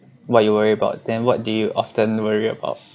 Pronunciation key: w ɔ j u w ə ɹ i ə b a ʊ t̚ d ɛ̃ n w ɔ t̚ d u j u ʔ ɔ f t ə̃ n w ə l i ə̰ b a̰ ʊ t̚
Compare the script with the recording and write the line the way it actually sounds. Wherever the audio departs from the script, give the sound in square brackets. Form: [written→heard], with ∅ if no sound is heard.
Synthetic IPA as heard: w ɔ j u w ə ɹ i ə b a ʊ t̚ d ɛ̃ n w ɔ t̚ d u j u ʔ ɔ f t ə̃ n w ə [l→ɹ] i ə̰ b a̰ ʊ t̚